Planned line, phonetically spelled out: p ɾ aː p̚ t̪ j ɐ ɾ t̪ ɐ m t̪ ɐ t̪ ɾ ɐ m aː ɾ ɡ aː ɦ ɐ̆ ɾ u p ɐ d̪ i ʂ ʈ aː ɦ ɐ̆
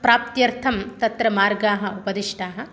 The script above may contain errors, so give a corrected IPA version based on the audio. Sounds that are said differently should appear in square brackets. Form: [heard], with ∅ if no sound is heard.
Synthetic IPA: p ɾ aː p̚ t̪ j ɐ ɾ [t̪ʰ] ɐ m t̪ ɐ t̪ ɾ ɐ m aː ɾ ɡ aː ɦ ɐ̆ [∅] u p ɐ d̪ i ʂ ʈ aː ɦ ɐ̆